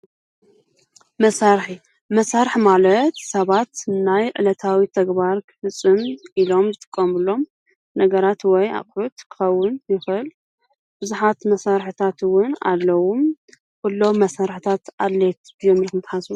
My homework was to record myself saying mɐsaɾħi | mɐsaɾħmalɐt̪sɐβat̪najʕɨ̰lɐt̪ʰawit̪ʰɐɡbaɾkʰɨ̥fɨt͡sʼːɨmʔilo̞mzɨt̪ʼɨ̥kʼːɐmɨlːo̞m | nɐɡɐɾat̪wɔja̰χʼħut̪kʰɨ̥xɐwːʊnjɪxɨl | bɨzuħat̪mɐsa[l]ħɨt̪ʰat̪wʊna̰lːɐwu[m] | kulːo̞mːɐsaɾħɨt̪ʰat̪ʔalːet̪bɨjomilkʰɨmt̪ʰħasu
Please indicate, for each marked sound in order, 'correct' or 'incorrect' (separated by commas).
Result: incorrect, correct